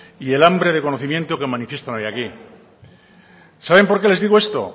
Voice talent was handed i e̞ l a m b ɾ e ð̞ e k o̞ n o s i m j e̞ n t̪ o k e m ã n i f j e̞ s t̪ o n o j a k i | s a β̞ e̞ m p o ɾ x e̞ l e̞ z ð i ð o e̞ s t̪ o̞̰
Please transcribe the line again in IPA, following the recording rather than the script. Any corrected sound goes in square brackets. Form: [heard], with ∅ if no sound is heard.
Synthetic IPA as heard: i e̞ l a m b ɾ e ð̞ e k o̞ n o [θ] i m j e̞ n t̪ o k e m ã n i f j e̞ s t̪ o n o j a k i | s a β̞ e̞ m p o ɾ [k] e̞ l e̞ z ð i [ɣ] o e̞ s t̪ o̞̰